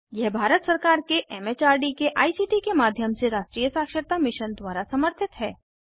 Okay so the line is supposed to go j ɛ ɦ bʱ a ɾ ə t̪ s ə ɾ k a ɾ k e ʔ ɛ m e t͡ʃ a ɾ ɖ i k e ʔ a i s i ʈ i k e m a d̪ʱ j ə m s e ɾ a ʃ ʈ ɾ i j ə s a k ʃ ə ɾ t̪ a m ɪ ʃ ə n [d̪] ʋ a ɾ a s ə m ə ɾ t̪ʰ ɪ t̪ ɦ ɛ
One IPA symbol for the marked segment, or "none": d̪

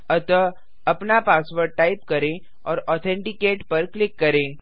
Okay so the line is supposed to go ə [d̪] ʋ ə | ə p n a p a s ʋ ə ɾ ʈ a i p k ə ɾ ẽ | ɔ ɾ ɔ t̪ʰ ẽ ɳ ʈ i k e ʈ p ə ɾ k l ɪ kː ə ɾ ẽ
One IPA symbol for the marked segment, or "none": t̪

